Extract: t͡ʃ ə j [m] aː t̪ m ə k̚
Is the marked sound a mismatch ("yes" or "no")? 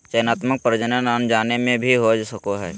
yes